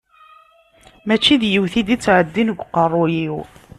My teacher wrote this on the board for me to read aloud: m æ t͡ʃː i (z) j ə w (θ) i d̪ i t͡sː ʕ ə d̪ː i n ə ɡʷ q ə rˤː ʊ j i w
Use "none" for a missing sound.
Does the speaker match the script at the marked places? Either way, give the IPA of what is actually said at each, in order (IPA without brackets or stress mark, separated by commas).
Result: ð, θ